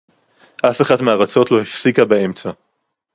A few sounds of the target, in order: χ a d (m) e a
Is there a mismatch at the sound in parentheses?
no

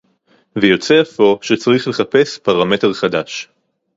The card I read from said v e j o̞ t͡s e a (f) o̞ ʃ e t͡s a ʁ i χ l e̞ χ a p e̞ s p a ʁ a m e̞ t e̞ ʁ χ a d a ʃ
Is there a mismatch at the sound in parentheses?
no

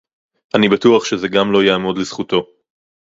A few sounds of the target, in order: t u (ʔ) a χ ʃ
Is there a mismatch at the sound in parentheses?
yes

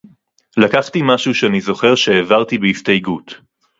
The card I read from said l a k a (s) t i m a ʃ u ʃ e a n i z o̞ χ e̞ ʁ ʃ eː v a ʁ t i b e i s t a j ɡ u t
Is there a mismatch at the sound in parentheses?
yes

